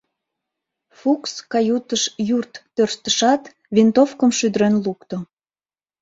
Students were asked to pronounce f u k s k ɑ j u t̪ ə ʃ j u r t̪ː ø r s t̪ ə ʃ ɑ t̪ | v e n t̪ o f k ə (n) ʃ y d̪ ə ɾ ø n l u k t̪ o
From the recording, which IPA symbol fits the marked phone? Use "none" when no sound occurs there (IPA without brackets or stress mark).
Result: m